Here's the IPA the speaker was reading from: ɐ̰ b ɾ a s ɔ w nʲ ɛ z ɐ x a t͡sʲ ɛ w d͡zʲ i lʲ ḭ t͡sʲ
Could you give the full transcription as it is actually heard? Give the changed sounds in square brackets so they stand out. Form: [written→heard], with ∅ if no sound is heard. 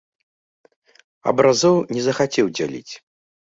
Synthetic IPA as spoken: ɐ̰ b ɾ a [s→z] ɔ w nʲ ɛ z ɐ x a t͡sʲ ɛ w d͡zʲ [i→a] lʲ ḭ t͡sʲ